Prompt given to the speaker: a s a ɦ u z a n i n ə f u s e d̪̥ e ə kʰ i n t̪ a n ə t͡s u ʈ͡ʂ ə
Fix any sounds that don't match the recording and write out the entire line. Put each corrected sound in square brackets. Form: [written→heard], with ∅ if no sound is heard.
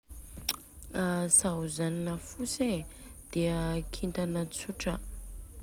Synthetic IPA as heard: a s a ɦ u z a n i n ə f u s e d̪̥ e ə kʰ i n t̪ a n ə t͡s u ʈ͡ʂ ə

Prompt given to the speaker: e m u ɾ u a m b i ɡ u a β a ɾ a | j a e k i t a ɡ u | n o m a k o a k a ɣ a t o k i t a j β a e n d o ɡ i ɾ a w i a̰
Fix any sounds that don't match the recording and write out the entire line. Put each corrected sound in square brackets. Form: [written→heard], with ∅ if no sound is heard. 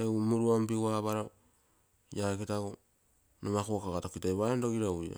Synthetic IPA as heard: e m u ɾ u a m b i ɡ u a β a ɾ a | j a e k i t a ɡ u | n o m a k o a k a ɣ a t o k i t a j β a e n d o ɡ i ɾ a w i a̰

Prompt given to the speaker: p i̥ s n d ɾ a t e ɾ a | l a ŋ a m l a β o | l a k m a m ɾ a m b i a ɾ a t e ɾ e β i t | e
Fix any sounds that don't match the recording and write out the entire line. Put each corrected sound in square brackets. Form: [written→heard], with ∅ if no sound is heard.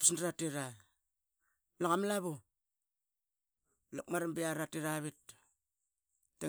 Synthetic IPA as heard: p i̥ s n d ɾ a t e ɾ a | l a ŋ a m l a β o | l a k m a [m→∅] ɾ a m b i a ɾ a t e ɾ [e→a] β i t | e

